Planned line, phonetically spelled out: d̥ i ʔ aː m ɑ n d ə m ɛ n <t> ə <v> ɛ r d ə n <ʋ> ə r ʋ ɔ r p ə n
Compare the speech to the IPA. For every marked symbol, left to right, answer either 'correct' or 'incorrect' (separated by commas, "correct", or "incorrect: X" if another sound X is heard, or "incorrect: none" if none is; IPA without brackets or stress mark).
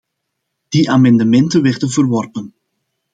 correct, incorrect: ʋ, incorrect: v